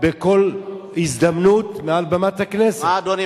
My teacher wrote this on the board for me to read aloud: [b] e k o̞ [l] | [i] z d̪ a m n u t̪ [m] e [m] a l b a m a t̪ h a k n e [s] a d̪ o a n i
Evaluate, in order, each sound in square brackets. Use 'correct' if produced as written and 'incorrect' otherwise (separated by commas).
correct, correct, correct, correct, incorrect, correct